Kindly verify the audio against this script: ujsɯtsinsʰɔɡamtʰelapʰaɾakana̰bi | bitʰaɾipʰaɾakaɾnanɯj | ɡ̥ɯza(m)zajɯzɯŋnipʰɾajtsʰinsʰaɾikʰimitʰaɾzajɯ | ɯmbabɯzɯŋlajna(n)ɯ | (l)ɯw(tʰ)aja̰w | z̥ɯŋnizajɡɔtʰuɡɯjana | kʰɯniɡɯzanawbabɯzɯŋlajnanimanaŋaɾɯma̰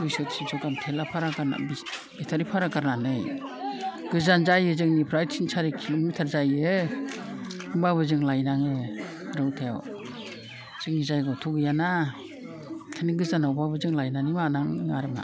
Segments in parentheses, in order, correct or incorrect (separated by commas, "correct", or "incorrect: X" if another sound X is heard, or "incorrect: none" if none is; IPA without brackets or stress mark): incorrect: n, incorrect: ŋ, incorrect: ɾ, correct